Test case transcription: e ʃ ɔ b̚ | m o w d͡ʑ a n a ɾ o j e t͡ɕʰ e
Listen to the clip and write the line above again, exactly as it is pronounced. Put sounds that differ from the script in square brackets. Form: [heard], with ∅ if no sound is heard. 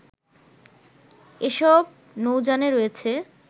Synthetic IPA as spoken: e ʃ ɔ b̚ | [n] o w d͡ʑ a n [e] ɾ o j e t͡ɕʰ e